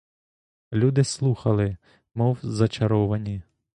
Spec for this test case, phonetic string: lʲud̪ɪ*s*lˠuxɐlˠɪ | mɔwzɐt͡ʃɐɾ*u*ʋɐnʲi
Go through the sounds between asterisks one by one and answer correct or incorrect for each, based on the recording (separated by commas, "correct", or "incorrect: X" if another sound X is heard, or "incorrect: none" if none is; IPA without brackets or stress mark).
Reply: correct, incorrect: ɔ